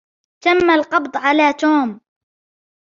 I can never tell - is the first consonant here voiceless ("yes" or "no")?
yes